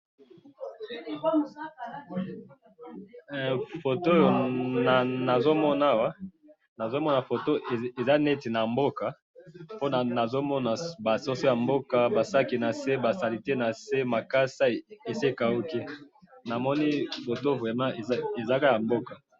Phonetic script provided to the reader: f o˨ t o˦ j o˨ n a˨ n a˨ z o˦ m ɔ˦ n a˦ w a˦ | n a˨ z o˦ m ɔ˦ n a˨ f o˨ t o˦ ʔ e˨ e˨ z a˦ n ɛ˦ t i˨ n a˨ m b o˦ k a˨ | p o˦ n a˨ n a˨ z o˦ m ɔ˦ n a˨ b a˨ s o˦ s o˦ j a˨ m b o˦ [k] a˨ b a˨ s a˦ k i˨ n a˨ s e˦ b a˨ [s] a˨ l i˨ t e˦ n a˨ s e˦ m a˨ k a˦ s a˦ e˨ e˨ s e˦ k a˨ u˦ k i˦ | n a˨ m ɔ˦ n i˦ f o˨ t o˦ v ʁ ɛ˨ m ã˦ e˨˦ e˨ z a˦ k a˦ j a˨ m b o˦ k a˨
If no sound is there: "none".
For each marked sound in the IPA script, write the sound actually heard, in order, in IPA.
k, s

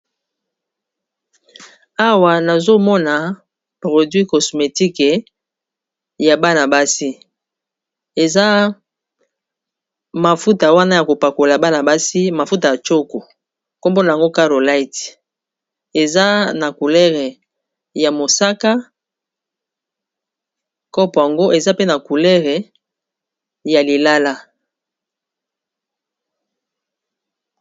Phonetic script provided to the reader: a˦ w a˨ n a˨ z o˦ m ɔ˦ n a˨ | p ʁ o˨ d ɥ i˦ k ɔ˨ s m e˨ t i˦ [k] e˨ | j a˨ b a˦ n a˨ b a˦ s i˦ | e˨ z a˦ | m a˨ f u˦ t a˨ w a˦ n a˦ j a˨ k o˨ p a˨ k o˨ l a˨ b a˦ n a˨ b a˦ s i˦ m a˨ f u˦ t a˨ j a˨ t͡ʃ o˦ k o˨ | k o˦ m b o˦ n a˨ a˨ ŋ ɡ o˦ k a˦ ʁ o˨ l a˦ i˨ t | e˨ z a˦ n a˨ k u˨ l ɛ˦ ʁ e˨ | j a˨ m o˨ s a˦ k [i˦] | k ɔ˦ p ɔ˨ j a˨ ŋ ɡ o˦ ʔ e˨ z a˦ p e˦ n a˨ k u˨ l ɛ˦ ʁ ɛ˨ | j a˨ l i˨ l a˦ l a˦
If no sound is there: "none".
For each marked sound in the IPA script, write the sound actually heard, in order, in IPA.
k, a˦

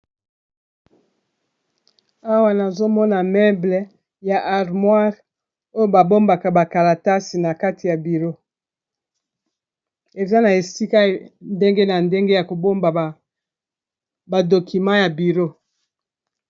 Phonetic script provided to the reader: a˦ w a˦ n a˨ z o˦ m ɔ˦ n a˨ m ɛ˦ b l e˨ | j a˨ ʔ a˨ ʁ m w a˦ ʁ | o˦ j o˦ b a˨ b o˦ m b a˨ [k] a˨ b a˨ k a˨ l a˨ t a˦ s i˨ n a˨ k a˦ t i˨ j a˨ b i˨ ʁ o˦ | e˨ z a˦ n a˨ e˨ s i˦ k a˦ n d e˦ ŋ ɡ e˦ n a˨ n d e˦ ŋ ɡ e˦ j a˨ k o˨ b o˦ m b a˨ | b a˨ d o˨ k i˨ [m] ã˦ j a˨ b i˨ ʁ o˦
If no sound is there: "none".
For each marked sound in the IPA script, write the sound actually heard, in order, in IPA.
k, m

